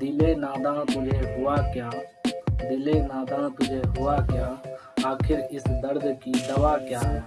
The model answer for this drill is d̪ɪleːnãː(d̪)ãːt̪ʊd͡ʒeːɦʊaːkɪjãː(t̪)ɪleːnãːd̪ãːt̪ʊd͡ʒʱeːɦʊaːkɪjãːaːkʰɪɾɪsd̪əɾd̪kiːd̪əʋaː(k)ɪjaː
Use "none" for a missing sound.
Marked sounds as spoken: d̪, d̪, k

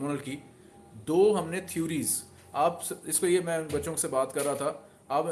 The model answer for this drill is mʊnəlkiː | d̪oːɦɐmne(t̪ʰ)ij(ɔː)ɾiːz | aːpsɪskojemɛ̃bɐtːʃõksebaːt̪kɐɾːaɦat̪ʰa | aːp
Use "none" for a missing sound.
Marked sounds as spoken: t̪ʰ, uː

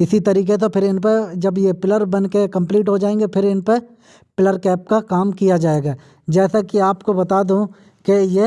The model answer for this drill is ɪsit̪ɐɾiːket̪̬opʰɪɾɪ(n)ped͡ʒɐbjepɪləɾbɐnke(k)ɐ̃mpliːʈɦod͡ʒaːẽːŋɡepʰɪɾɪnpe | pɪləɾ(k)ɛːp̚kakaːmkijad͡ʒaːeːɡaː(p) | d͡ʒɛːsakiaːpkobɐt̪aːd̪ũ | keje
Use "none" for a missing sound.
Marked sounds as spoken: n, k, k, none

